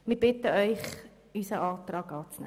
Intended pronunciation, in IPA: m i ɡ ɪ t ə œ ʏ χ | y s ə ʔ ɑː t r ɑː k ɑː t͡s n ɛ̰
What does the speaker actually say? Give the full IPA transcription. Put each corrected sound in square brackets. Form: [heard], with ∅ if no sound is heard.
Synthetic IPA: m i [b] ɪ t ə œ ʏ χ | y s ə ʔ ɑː t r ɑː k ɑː t͡s n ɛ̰